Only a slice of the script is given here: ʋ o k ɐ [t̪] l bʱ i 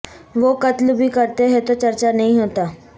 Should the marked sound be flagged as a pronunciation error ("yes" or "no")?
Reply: no